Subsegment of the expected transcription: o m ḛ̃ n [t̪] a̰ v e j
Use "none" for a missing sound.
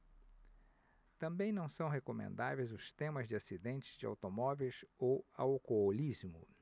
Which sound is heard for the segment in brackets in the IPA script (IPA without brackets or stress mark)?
d̪